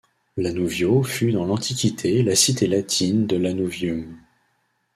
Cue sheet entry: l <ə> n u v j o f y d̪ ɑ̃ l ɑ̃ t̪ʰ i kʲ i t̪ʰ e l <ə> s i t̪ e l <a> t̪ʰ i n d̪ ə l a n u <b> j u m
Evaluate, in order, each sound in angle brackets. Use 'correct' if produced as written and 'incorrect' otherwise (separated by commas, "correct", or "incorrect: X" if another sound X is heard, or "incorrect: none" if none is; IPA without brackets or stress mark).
incorrect: a, incorrect: a, correct, incorrect: v